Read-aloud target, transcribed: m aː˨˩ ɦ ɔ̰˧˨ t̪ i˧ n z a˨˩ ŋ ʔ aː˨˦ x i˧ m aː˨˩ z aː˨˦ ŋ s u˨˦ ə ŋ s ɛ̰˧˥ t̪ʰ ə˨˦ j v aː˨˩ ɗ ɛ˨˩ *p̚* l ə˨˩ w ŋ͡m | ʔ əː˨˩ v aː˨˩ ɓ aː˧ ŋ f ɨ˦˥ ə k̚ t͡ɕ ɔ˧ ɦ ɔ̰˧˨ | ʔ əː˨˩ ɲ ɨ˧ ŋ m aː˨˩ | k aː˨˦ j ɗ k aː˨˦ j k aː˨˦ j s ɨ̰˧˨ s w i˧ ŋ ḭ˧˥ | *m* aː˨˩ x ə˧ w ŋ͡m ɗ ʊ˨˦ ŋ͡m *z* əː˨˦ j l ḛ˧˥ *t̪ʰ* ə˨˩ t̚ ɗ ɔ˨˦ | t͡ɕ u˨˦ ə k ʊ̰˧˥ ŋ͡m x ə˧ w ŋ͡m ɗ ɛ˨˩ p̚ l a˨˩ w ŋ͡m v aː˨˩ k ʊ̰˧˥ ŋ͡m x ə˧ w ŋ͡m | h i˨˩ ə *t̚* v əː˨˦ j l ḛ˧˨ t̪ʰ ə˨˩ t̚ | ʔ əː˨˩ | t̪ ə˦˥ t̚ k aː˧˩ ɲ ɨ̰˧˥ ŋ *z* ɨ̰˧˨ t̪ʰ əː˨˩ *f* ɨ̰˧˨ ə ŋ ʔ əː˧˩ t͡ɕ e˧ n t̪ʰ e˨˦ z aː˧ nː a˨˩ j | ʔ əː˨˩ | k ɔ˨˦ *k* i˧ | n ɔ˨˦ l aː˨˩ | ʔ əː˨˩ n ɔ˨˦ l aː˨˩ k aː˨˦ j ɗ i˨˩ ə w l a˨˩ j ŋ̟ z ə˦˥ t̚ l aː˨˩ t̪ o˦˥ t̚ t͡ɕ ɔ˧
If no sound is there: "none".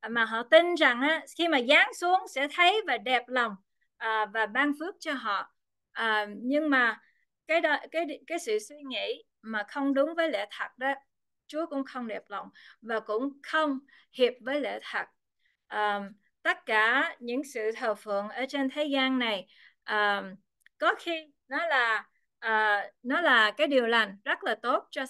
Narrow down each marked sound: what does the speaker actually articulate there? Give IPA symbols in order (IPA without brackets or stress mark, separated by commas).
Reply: p̚, m, v, t̪ʰ, p̚, s, f, x